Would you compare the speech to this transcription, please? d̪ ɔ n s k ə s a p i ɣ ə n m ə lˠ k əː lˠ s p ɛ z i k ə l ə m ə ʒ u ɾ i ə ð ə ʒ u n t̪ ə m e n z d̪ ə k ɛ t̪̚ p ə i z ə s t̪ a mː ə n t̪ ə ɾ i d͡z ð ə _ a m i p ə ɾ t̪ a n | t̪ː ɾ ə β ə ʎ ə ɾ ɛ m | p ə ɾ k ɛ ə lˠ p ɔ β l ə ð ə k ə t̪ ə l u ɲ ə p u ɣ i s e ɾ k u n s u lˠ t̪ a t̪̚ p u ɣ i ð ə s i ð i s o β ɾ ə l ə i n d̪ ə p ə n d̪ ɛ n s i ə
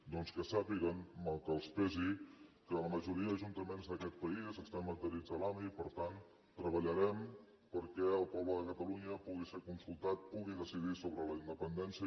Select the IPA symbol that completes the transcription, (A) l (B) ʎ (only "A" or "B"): A